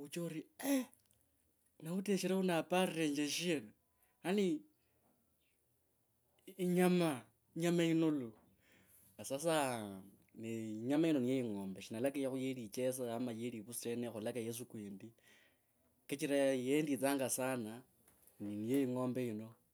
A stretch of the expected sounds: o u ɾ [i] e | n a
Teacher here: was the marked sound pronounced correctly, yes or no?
yes